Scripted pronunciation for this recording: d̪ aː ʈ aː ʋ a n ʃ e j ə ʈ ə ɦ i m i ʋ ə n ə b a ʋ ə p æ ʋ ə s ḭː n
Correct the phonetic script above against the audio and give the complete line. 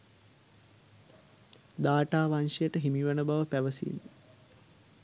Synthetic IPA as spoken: d̪ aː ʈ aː ʋ a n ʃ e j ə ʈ ə ɦ i m i ʋ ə n ə b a ʋ ə p æ ʋ ə s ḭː n